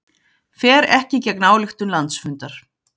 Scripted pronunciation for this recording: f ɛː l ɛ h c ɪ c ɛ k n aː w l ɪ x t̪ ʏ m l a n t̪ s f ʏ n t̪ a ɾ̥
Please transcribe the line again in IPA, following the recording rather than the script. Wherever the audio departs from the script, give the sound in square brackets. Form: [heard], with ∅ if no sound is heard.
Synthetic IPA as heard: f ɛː [ɾ] ɛ h c ɪ c ɛ k n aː w l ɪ x t̪ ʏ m l a n t̪ s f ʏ n t̪ a ɾ̥